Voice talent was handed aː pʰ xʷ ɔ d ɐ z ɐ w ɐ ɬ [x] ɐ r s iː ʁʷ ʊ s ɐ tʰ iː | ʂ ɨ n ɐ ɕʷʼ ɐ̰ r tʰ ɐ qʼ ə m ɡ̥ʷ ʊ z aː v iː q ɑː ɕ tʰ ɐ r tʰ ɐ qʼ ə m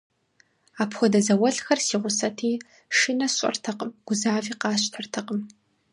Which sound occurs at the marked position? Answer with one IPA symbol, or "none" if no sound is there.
x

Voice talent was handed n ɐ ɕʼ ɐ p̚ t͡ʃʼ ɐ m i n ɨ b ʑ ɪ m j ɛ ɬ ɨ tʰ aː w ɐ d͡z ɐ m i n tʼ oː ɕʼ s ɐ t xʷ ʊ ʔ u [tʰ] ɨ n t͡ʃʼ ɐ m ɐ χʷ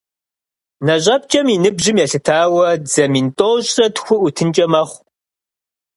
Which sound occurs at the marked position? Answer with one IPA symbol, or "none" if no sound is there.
tʰ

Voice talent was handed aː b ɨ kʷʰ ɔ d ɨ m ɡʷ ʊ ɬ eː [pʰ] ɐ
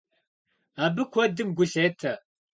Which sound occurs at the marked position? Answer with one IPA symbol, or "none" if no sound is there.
tʰ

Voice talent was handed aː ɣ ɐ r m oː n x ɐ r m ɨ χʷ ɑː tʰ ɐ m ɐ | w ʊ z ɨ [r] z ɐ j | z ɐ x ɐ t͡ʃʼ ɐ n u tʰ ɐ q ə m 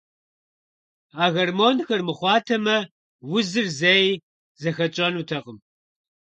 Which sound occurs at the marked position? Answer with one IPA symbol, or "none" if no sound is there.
r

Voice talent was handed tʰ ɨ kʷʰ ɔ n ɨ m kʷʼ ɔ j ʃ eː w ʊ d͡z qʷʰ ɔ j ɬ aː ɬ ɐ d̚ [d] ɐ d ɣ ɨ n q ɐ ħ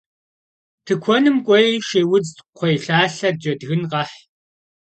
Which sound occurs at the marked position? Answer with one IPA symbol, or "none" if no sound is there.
d͡ʒ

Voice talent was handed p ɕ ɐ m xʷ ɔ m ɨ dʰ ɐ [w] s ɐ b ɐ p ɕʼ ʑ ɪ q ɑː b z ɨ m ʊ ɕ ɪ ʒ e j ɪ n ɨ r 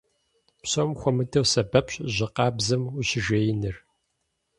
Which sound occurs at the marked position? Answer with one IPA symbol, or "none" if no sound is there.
w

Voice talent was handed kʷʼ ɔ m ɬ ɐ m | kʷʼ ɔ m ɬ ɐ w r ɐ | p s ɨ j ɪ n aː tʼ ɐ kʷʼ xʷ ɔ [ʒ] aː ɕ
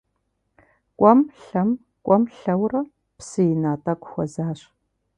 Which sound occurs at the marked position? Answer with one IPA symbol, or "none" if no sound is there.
z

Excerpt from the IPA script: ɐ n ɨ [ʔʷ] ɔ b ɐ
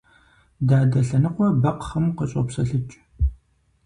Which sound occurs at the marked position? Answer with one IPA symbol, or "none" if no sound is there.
qʷ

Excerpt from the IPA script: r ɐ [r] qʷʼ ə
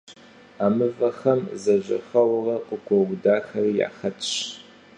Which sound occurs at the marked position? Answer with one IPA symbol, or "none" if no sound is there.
none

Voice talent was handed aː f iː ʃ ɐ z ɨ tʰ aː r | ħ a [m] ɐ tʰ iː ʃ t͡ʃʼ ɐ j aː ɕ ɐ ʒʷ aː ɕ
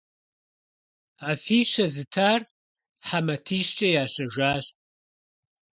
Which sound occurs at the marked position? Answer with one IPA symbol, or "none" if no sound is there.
m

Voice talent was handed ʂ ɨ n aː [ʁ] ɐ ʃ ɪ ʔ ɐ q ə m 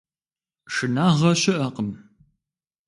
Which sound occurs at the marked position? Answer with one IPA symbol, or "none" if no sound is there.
ʁ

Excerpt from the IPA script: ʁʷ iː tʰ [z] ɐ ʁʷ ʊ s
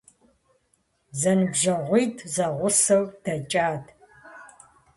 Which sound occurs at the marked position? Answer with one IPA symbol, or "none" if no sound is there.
z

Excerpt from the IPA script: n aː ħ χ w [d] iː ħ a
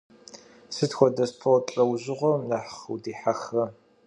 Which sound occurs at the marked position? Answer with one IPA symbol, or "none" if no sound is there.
d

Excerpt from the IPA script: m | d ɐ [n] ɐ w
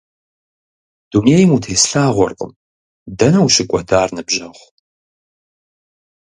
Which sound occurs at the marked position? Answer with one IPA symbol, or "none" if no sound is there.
n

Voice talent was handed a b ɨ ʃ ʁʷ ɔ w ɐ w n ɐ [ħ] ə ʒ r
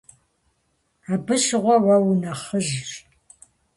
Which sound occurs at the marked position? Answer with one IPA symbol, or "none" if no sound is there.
χ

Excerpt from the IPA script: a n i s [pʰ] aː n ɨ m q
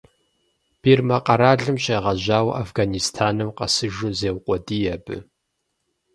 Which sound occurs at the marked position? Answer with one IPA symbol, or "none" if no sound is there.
tʰ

